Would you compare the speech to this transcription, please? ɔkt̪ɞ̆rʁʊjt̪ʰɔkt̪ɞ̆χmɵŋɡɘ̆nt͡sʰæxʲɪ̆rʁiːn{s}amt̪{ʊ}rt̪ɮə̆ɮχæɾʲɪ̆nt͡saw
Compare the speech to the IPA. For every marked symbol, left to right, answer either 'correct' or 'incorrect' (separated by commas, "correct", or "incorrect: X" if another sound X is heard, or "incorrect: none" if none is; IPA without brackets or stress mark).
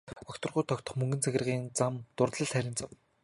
incorrect: t͡s, correct